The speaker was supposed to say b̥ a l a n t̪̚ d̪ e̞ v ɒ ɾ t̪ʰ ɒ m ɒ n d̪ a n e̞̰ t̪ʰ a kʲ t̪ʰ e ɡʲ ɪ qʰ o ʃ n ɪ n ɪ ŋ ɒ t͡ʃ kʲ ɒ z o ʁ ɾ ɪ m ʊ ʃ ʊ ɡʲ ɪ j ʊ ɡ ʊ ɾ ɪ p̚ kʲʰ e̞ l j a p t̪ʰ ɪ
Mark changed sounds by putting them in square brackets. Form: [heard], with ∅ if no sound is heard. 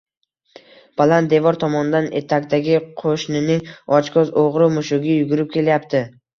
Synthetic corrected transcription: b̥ a l a n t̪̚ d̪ e̞ v ɒ ɾ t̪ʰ ɒ m ɒ n d̪ a n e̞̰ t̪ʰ a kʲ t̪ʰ [a] ɡʲ ɪ qʰ o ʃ n ɪ n ɪ ŋ ɒ t͡ʃ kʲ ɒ z o ʁ ɾ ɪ m ʊ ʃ ʊ ɡʲ ɪ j ʊ ɡ ʊ ɾ ɪ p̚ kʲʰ e̞ l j a p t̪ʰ ɪ